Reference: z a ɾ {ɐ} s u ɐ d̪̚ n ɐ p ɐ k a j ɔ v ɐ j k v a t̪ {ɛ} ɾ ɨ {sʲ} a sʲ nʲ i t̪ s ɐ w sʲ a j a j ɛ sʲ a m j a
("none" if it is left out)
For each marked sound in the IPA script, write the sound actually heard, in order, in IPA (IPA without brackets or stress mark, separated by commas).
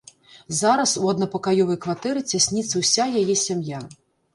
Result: ɐ, ɛ, t͡sʲ